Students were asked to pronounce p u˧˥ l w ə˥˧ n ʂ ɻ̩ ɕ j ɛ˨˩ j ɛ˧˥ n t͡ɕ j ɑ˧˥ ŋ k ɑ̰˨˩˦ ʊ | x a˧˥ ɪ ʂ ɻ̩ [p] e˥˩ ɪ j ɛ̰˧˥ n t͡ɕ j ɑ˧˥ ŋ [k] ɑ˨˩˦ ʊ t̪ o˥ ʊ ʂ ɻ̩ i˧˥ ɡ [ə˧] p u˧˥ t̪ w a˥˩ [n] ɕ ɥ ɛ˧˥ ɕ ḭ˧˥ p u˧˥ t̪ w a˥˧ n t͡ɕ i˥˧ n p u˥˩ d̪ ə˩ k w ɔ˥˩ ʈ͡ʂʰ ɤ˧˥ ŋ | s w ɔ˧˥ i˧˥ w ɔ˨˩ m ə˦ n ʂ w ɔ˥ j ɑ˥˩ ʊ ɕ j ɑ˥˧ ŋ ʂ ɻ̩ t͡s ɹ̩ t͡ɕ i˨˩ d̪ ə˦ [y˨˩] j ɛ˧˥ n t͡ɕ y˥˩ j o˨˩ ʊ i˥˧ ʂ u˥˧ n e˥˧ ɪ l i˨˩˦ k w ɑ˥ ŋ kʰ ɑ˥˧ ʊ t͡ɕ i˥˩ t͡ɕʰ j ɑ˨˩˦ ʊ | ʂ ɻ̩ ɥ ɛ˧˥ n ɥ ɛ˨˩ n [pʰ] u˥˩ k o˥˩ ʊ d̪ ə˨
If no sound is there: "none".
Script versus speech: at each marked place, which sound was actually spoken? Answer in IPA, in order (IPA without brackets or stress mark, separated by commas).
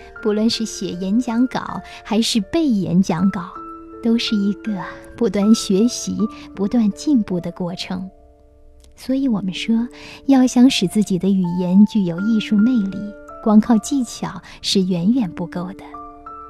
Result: p, k, ə˧, n, y˨˩, p